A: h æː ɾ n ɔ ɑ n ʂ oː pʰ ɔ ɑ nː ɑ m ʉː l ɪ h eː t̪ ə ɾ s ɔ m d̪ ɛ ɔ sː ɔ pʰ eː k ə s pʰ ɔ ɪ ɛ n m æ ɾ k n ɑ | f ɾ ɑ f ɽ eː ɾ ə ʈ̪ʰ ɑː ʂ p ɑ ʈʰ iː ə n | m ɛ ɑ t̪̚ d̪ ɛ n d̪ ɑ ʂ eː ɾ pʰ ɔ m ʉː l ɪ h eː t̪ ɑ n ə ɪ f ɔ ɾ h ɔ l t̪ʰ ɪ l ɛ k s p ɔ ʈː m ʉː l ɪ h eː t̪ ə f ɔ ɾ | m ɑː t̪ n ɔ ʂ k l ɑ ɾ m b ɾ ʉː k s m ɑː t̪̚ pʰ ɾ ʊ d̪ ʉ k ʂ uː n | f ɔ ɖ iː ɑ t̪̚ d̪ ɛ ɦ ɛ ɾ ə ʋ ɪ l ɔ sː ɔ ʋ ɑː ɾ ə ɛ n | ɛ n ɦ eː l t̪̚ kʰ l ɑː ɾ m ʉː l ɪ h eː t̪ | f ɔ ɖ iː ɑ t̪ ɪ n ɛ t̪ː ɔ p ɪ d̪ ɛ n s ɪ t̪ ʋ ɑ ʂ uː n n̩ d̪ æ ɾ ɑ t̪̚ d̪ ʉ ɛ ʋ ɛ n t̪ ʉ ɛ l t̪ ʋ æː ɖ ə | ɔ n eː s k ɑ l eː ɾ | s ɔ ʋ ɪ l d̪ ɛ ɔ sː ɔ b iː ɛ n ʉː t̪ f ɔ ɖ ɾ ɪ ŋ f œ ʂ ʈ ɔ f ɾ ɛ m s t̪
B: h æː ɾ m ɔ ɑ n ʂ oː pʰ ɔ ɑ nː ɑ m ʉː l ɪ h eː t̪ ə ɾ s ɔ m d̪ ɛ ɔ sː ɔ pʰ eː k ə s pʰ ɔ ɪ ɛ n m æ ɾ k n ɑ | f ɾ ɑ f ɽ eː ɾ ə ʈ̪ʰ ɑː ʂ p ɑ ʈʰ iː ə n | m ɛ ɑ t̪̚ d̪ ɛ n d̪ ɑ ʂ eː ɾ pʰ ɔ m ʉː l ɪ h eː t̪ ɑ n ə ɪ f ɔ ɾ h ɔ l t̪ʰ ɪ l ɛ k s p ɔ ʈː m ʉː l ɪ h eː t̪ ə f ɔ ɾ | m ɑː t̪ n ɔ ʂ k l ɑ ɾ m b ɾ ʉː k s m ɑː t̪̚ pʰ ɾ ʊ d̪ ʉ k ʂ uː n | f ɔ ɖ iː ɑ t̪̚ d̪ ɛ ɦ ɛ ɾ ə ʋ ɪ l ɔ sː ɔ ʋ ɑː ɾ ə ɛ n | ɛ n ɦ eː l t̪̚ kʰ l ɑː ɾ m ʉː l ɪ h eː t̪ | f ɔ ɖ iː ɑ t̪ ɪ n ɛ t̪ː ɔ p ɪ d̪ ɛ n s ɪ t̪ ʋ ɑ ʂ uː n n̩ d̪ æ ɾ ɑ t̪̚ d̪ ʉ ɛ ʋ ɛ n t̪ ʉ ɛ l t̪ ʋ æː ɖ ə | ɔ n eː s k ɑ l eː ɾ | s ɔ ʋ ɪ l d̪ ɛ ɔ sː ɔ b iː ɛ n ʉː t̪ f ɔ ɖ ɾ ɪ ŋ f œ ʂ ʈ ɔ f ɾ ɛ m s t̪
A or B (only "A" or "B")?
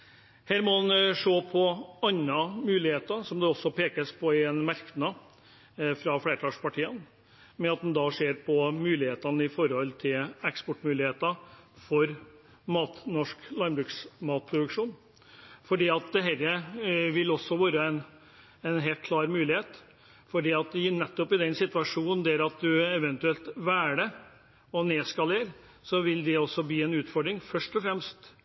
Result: B